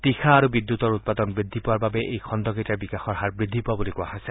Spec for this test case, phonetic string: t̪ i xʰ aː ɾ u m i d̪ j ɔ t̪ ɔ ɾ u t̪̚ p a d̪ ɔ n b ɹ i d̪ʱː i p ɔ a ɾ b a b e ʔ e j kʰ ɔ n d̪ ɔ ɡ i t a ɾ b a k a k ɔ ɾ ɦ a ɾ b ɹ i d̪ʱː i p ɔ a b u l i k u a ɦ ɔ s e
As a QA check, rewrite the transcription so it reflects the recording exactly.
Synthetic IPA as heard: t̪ i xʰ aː ɾ u b i d̪ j u t̪ ɔ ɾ u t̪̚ p a d̪ ɔ n b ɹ i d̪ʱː i p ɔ a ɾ b a b e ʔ e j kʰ ɔ n d̪ ɔ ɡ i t a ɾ b i k a x ɔ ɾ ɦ a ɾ b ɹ i d̪ʱː i p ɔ a b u l i k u a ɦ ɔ s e